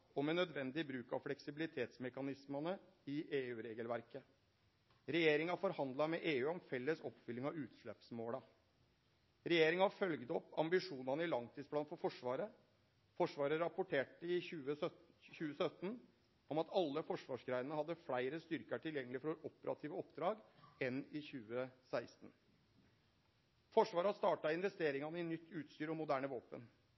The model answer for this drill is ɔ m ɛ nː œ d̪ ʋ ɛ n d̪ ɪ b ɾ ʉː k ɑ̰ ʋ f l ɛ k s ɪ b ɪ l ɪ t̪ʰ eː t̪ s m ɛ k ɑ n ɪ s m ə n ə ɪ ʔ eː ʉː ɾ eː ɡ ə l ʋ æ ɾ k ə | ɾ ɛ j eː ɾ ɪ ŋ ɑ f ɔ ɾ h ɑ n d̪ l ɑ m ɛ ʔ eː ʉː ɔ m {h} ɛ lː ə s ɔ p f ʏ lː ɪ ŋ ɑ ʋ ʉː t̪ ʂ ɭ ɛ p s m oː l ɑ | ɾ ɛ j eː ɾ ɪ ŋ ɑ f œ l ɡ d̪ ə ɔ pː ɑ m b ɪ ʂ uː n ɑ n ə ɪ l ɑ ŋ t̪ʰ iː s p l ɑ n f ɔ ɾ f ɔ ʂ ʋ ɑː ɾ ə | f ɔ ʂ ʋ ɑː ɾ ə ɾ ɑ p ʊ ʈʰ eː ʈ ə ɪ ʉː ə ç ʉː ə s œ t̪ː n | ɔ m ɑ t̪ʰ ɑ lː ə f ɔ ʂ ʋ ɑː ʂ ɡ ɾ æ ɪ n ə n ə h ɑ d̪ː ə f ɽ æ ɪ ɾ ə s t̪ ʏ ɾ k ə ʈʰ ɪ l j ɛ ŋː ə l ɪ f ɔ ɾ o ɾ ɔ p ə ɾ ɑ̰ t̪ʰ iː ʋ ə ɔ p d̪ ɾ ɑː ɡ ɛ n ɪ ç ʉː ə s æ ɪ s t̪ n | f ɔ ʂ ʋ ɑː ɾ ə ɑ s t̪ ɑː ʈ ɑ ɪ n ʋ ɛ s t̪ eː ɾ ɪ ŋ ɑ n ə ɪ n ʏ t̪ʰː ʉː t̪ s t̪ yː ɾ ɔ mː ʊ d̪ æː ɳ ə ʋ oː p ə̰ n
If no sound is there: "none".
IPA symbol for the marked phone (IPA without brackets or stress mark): f